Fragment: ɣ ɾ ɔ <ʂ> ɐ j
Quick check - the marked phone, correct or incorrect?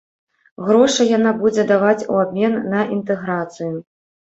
correct